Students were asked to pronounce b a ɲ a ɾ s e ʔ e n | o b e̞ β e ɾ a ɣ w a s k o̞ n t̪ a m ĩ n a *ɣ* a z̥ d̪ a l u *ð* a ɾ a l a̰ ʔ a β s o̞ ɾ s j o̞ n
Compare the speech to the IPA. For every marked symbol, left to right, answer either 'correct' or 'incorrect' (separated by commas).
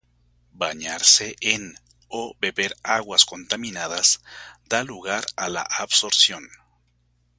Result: incorrect, incorrect